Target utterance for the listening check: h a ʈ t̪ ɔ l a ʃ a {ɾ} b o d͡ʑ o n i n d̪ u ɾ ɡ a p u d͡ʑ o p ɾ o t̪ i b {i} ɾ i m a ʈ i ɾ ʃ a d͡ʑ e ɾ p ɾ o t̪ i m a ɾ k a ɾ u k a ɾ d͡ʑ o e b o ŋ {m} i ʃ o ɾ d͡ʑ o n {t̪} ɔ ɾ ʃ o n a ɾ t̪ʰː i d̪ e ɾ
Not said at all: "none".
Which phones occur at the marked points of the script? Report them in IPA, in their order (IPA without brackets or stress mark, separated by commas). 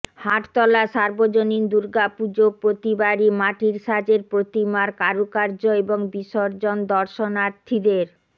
ɾ, a, b, d̪